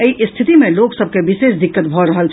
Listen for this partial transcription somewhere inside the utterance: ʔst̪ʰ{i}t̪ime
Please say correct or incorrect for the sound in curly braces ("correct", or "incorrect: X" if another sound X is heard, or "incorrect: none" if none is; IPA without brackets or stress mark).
correct